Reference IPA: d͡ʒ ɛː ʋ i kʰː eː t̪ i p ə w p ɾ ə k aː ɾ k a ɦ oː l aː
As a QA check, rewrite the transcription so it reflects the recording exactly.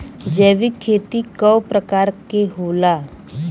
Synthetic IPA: d͡ʒ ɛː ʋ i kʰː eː t̪ i k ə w p ɾ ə k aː ɾ k e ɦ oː l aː